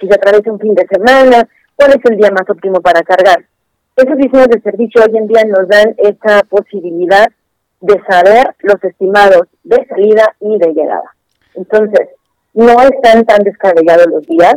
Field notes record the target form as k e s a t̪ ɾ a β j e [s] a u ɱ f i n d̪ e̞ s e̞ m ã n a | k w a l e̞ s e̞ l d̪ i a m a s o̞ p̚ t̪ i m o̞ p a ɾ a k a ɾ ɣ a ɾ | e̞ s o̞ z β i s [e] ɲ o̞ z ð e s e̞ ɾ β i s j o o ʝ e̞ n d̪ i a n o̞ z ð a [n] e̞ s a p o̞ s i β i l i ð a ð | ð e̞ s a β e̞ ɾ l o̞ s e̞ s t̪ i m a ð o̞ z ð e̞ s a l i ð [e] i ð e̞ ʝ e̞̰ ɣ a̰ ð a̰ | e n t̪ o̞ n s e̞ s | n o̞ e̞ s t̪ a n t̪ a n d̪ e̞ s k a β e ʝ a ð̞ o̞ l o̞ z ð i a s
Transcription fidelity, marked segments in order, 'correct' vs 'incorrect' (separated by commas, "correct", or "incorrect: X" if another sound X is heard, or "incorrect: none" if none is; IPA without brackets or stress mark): correct, correct, correct, incorrect: a